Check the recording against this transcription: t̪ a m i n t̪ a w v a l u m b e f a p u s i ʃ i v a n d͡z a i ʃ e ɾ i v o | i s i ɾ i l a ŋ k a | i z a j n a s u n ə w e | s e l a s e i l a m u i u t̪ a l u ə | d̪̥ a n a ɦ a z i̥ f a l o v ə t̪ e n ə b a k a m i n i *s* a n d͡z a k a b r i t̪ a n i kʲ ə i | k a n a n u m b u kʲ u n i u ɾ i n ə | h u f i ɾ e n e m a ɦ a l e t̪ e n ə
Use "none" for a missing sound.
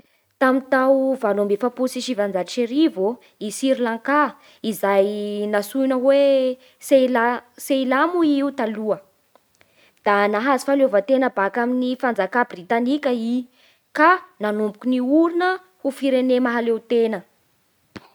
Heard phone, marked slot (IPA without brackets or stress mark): f